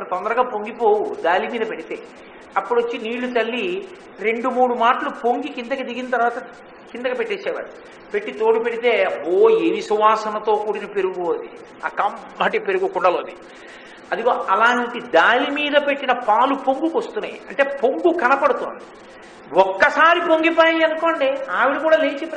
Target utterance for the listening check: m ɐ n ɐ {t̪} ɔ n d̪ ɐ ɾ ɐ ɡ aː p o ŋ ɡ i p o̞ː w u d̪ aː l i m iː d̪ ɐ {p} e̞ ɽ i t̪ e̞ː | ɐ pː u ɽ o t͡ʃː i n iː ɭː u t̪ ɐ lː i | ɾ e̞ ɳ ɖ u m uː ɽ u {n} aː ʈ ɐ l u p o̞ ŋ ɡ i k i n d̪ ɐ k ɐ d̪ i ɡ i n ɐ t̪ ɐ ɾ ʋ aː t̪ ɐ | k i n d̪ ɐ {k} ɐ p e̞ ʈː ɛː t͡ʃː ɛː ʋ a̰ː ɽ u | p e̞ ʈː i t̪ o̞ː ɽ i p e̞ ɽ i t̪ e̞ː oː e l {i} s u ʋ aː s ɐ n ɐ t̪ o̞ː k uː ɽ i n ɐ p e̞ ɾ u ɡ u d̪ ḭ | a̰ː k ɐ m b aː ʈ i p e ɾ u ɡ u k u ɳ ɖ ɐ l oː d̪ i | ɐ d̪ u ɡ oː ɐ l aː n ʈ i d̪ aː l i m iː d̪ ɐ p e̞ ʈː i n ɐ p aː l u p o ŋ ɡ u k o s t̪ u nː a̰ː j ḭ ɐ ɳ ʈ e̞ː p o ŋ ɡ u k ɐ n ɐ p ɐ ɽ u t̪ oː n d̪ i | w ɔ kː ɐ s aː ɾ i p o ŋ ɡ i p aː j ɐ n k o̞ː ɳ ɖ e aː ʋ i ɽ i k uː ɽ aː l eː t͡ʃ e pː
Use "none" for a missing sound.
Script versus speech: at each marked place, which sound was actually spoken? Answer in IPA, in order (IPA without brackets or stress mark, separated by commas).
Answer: t̪, p, m, k, i